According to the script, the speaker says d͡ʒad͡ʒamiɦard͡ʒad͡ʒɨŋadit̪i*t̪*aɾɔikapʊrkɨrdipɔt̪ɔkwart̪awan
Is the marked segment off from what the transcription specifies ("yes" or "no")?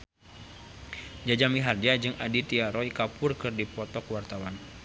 yes